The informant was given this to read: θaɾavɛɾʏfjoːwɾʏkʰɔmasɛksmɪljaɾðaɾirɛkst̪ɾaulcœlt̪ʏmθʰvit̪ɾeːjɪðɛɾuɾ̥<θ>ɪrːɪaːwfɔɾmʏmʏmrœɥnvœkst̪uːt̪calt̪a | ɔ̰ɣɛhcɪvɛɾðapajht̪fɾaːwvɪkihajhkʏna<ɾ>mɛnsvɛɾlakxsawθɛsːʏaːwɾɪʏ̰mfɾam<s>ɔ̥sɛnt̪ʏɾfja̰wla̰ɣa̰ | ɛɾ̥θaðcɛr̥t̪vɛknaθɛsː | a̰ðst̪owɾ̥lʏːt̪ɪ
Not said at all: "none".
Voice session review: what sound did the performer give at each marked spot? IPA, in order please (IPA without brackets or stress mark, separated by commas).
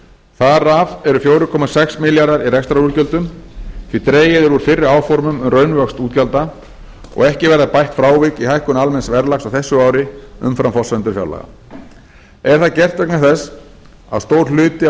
f, l, f